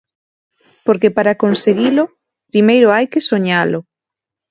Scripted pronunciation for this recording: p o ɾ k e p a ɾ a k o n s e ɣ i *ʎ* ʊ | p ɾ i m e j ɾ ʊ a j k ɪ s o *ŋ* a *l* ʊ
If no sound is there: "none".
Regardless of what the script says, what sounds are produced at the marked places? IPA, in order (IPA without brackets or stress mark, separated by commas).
l, ɲ, l